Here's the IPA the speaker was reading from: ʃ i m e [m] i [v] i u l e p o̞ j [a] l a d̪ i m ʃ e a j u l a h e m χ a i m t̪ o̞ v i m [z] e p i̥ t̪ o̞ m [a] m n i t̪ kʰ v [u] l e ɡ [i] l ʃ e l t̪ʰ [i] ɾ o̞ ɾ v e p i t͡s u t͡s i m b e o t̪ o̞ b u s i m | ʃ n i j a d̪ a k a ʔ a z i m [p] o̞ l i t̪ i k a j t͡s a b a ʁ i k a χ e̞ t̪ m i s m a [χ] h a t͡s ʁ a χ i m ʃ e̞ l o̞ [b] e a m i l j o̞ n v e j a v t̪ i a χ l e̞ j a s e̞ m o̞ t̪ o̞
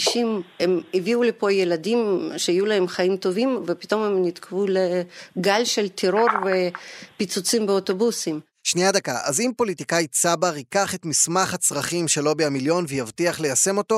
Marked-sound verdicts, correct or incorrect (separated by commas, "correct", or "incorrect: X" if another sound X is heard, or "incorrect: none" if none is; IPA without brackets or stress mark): correct, correct, incorrect: e, incorrect: v, incorrect: e, correct, incorrect: a, incorrect: e, correct, correct, correct